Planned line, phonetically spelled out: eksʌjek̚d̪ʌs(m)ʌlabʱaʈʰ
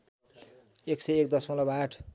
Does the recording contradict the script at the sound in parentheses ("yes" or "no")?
no